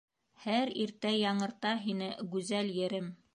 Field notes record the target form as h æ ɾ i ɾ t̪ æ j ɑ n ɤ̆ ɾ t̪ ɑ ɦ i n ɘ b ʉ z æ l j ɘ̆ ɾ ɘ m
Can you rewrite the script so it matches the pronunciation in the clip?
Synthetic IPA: h æ ɾ i ɾ t̪ æ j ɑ ɴ ɤ̆ ɾ t̪ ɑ ɦ i n ɘ ɡ ʉ z æ l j ɘ̆ ɾ ɘ m